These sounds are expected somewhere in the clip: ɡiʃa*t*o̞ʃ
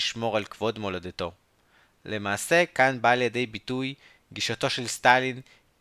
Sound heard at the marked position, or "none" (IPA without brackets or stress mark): t